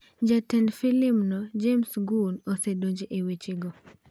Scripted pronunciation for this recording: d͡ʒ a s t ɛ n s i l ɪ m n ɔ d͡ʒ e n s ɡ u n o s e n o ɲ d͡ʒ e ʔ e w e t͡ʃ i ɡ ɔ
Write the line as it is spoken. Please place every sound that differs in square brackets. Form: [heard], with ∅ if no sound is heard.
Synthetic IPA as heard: d͡ʒ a [∅] t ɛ n [f] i l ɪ m n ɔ d͡ʒ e [m] s ɡ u n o s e [d] o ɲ d͡ʒ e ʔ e w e t͡ʃ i ɡ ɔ